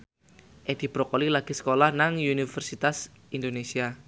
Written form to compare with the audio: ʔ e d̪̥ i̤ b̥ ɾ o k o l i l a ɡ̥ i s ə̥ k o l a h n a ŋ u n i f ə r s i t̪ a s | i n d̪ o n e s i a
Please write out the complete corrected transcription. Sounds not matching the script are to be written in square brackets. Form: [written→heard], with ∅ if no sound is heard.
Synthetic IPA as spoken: ʔ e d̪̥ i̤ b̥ ɾ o k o l i l a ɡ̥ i s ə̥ k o l a h n a ŋ u n i f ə r s i t̪ a s | i n d̪ o n e s i a